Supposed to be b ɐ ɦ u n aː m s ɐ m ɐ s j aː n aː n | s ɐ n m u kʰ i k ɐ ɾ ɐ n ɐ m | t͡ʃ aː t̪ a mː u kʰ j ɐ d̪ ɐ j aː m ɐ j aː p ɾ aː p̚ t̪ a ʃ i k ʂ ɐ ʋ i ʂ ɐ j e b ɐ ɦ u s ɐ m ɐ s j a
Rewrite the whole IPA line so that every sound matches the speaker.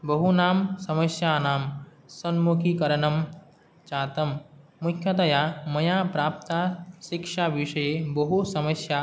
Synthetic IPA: b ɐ ɦ u n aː m s ɐ m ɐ s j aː n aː m | s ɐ n m u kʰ i k ɐ ɾ ɐ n ɐ m | t͡ʃ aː t̪ ɐ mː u kʰ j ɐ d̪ ɐ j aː m ɐ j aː p ɾ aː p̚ t̪ a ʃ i k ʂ a ʋ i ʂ ɐ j e b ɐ ɦ u s ɐ m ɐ s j a